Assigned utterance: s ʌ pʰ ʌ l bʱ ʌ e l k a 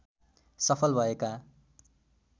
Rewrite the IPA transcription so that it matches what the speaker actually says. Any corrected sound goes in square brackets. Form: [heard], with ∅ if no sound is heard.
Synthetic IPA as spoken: s ʌ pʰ ʌ l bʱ ʌ e [∅] k a